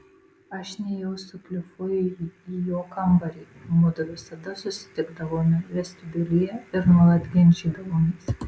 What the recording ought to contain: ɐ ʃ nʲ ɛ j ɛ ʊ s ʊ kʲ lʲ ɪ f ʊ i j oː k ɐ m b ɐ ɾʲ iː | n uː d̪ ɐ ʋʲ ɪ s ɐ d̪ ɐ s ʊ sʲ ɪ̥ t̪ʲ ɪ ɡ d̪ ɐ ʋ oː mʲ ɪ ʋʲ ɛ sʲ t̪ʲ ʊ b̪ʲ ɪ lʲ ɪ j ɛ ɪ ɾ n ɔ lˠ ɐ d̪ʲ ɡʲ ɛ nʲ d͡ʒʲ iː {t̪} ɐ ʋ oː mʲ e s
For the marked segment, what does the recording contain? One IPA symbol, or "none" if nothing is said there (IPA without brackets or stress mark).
d̪